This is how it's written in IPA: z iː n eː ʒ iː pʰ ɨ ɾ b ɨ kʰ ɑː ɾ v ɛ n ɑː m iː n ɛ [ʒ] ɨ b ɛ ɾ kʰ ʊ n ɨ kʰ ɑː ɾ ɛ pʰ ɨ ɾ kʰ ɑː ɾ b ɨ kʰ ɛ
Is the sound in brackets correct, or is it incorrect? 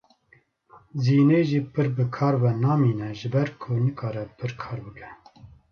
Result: correct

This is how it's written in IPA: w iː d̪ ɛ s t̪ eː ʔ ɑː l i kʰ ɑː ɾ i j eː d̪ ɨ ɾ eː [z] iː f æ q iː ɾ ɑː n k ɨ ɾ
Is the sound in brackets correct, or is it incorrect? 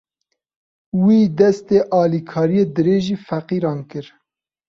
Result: incorrect: ʒ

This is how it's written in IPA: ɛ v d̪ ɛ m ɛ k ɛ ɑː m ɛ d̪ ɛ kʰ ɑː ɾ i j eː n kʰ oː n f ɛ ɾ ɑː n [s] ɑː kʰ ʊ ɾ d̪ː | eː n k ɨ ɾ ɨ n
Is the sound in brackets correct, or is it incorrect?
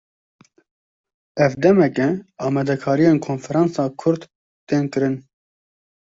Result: correct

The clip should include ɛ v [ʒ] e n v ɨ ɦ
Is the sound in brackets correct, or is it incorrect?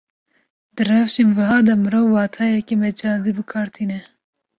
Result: incorrect: ʃ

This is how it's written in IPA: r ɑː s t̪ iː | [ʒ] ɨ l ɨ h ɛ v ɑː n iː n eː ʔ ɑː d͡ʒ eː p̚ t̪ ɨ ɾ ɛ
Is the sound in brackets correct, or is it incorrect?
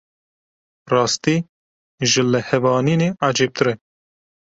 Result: correct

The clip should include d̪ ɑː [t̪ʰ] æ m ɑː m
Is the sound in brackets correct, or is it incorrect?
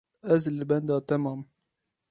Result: incorrect: t̪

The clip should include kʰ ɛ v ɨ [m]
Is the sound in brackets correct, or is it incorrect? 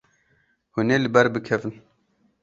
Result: incorrect: n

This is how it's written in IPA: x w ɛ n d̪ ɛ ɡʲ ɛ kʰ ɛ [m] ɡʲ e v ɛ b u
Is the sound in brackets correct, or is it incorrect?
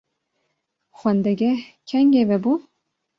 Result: incorrect: ŋ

